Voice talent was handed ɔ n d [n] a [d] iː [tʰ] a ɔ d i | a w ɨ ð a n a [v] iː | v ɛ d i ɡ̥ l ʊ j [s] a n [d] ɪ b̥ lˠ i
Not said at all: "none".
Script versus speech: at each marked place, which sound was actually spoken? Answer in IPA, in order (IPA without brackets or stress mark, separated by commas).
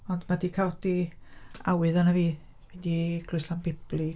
m, d, kʰ, v, s, b